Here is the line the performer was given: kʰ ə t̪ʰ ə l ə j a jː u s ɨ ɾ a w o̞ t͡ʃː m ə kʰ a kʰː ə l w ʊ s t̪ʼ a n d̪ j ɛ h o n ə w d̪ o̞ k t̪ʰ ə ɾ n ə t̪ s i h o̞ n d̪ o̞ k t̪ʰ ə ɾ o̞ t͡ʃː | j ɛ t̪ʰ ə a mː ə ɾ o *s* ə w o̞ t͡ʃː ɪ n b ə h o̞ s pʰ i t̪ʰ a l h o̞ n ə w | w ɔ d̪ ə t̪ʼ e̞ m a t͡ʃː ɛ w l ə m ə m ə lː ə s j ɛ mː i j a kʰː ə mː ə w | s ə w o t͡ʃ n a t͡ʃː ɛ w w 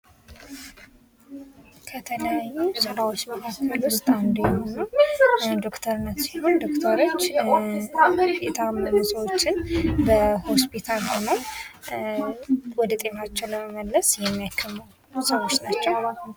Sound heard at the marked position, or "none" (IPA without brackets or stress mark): s